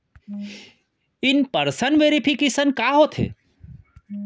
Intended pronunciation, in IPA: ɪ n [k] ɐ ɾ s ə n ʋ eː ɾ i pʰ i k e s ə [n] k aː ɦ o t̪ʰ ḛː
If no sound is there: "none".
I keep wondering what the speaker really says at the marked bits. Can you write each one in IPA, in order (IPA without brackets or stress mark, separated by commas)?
p, n